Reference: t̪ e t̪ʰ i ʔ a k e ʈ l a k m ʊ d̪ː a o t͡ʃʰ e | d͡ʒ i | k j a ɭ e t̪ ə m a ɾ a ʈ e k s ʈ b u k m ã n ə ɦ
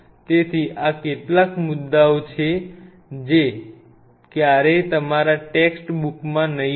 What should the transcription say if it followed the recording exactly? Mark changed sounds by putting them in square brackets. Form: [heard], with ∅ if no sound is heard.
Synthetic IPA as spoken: t̪ e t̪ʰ i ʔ a k e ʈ l a k m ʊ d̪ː a o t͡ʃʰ e | d͡ʒ [e] | k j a [ɾ] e t̪ ə m a ɾ a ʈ e k s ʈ b u k m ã n ə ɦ